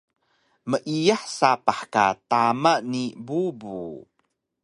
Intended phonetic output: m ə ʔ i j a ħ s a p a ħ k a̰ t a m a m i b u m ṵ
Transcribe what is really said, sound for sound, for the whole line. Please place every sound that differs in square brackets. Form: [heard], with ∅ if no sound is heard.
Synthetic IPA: m ə ʔ i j a ħ s a p a ħ k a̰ t a m a [n] i b u [b] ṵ

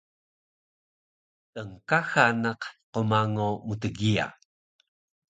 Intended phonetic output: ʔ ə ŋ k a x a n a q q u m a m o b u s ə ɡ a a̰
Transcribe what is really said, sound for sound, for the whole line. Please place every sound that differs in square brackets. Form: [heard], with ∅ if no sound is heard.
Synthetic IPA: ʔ ə ŋ k a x a n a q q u m a [ŋ] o [m] u [t] ə ɡ [i] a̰

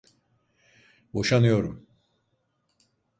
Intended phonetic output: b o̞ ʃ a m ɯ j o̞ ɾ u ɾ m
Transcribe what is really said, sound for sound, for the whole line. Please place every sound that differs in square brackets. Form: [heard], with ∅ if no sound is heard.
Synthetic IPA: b o̞ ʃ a [n] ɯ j o̞ ɾ u [∅] m

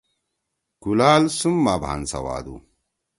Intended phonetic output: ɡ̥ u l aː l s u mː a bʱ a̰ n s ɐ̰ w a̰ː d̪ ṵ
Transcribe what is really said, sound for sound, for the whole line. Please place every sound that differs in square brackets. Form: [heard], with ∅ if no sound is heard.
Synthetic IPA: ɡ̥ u l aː l s u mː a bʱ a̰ n s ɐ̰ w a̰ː d̪ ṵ

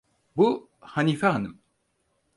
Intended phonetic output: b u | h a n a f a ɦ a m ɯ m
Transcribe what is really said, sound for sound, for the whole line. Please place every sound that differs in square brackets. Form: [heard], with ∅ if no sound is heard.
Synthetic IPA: b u | h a n [i] f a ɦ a [n] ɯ m

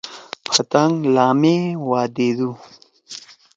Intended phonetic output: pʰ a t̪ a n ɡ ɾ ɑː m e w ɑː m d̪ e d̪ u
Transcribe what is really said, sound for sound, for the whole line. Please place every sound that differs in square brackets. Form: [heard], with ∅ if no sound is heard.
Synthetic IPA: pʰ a t̪ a [ŋ] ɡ [l] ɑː m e w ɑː [∅] d̪ e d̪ u

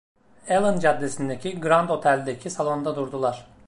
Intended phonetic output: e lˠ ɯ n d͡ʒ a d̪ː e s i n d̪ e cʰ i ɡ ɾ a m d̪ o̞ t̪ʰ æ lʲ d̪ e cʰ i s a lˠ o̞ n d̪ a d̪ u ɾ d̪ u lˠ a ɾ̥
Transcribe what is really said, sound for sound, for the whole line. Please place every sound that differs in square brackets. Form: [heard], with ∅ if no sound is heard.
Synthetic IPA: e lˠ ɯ n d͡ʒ a d̪ː e s i n d̪ e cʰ i ɡ ɾ a [n] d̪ o̞ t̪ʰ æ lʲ d̪ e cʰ i s a lˠ o̞ n d̪ a d̪ u ɾ d̪ u lˠ a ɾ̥

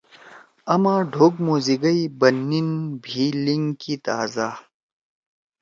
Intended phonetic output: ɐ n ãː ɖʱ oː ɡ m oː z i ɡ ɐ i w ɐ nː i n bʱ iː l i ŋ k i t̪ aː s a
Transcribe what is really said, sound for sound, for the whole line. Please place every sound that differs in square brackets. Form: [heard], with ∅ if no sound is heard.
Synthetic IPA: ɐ [m] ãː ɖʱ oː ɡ m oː z i ɡ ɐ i [b] ɐ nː i n bʱ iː l i ŋ k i t̪ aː [z] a

